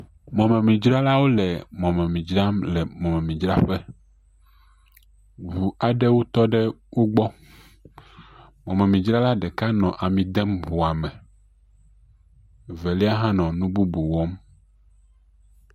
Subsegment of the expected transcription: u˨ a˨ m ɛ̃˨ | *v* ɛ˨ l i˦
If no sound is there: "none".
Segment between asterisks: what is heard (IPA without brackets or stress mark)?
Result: v